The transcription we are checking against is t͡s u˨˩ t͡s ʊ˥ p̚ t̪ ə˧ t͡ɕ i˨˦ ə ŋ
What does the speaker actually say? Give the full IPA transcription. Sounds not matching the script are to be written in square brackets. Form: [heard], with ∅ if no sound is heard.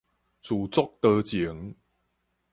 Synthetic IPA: t͡s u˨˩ t͡s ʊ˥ [k̚] t̪ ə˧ t͡ɕ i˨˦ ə ŋ